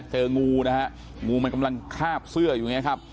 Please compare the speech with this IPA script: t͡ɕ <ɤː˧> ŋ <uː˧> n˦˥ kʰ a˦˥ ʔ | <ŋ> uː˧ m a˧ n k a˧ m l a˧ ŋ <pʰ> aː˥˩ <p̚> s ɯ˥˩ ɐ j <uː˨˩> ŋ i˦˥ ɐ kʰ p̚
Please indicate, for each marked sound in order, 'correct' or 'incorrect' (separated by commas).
correct, correct, correct, incorrect, correct, correct